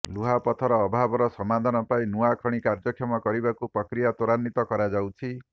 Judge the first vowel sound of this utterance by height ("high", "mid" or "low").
high